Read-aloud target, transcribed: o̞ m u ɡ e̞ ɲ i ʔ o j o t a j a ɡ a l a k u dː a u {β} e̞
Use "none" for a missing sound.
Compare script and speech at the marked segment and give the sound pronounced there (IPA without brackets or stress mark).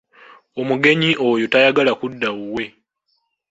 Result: w